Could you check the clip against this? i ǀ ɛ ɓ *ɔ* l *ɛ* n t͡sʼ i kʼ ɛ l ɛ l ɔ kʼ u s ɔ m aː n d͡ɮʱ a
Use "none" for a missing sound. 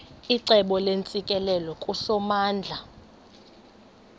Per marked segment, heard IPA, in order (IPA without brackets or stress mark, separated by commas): ɔ, e